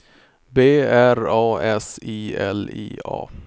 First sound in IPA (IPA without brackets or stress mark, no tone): b